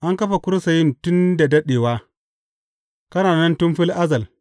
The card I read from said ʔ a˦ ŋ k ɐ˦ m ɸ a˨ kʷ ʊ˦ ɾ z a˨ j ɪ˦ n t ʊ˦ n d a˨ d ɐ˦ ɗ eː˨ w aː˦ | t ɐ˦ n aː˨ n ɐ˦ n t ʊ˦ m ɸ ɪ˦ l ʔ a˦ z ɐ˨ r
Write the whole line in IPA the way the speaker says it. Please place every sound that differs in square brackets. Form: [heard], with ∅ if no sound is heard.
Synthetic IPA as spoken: ʔ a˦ ŋ k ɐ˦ [∅] ɸ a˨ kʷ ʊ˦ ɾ [s] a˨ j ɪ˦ n t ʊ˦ n d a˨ d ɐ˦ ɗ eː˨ w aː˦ | [k] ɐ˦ n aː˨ n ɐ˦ n t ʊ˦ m ɸ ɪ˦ l ʔ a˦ z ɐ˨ [l]